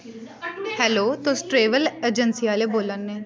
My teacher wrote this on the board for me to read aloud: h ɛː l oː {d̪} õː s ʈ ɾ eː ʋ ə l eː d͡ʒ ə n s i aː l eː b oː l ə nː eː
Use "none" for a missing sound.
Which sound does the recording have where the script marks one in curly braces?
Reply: t̪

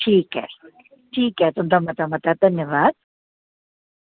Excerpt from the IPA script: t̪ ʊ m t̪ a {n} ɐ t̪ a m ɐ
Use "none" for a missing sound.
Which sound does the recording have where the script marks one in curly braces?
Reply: m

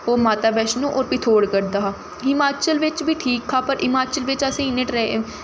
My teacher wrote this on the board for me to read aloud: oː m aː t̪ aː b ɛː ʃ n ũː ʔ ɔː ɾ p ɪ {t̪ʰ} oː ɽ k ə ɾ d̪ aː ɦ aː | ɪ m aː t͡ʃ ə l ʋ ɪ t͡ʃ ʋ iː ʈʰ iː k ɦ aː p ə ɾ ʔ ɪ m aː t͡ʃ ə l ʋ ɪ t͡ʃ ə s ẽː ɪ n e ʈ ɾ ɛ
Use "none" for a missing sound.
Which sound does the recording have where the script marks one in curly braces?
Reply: t̪ʰ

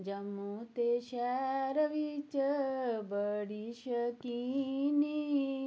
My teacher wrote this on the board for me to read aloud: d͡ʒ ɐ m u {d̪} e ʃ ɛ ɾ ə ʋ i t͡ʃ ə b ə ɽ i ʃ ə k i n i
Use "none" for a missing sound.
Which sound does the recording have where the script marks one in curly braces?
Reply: t̪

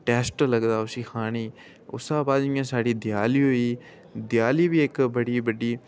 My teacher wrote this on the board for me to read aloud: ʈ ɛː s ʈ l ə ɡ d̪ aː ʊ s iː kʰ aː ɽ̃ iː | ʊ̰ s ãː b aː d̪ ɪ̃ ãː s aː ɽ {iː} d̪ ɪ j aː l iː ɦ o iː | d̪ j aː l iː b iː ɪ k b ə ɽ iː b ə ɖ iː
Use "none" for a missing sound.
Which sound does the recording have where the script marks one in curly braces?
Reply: iː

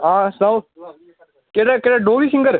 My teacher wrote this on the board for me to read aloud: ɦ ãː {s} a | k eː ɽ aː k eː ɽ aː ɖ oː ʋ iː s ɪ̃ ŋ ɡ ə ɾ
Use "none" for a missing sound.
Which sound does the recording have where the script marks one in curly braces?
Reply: s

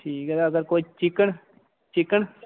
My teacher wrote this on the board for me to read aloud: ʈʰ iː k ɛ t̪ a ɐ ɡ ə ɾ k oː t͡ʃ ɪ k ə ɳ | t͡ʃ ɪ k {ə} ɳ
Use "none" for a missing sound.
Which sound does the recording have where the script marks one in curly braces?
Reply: ə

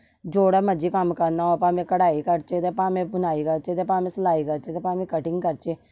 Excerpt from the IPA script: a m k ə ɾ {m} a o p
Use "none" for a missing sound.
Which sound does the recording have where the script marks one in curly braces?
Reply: n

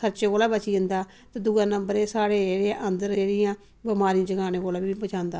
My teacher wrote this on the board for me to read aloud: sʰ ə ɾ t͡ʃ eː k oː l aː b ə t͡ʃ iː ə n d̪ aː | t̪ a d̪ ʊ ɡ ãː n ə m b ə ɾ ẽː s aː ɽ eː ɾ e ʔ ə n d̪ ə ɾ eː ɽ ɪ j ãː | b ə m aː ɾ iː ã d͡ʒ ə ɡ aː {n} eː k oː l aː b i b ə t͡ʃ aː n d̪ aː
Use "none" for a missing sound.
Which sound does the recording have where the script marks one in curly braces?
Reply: n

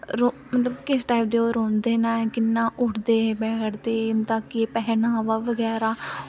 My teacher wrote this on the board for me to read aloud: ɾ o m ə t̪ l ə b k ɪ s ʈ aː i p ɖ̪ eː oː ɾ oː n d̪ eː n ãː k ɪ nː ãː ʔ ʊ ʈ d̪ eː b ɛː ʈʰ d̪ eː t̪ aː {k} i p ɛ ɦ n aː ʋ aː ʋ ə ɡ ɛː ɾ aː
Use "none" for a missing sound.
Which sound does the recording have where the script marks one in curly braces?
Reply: k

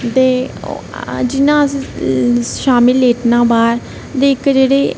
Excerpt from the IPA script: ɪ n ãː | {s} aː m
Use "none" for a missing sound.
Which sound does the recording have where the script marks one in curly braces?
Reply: ʃ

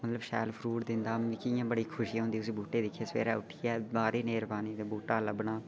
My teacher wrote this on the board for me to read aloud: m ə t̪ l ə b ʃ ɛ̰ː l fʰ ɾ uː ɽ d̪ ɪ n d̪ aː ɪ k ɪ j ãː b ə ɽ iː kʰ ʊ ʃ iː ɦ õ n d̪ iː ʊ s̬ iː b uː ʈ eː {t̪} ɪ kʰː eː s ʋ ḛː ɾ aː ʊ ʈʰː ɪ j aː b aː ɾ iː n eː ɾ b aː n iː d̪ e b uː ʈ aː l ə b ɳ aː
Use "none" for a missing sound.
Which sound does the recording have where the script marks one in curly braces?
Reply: d̪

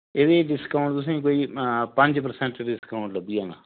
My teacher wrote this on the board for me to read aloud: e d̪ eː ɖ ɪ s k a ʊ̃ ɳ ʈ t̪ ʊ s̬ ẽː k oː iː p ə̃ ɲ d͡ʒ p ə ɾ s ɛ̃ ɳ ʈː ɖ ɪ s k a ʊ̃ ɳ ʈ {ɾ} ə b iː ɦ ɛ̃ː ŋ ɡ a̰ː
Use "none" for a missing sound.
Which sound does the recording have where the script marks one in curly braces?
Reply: l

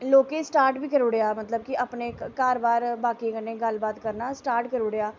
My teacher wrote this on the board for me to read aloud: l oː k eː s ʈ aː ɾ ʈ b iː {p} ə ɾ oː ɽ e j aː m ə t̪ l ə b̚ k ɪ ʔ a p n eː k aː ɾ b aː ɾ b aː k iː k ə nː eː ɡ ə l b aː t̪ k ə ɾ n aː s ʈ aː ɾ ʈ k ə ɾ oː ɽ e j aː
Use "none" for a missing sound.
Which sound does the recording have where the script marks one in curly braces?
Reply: k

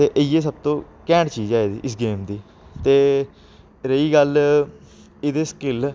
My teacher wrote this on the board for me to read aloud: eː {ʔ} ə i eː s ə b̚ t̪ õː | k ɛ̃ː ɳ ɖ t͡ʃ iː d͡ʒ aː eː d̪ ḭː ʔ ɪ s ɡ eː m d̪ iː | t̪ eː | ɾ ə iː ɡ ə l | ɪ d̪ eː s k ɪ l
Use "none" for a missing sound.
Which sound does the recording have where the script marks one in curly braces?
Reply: ʔ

